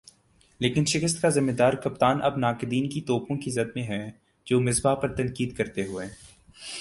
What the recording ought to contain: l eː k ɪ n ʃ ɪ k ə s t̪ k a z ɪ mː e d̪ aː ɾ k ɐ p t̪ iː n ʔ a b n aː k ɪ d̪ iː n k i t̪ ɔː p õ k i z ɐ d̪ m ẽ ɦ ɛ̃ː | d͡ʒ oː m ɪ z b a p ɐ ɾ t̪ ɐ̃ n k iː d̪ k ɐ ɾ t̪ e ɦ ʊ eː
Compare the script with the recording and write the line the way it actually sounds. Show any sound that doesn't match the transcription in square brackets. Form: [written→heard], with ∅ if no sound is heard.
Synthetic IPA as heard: l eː k ɪ n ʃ ɪ k ə s t̪ k a z ɪ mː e d̪ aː ɾ k ɐ p t̪ [iː→aː] n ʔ [a→ɐ] b n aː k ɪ d̪ iː n k i t̪ ɔː p õ k i z ɐ d̪ m ẽ ɦ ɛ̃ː | d͡ʒ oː m ɪ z b a p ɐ ɾ t̪ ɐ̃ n k iː d̪ k ɐ ɾ t̪ e ɦ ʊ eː